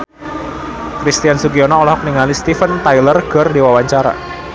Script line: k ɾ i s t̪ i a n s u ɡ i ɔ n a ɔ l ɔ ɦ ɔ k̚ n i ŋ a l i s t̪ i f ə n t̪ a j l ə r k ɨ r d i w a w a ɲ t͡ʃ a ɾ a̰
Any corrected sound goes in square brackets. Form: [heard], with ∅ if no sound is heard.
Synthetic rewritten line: k ɾ i s t̪ i a n s u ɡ i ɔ n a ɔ l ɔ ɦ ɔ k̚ n i ŋ a l i s t̪ i f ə n t̪ a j l ə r k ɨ r d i w a w a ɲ t͡ʃ a ɾ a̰